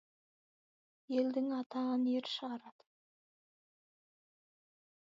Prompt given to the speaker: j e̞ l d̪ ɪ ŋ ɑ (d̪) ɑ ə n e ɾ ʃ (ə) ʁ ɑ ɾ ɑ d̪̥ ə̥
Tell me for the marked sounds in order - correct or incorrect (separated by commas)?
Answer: incorrect, correct